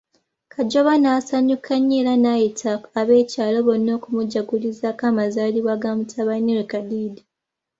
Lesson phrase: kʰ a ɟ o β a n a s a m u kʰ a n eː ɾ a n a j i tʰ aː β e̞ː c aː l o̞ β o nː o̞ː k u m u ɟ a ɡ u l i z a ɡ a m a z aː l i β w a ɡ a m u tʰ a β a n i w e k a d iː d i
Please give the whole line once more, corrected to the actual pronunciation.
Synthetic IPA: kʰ a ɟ o β a n a s a ɲ u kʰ a ɲ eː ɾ a n a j i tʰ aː β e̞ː c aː l o̞ β o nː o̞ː k u m u ɟ a ɡ u l i z a k a m a z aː l i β w a ɡ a m u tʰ a β a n i w e k a d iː d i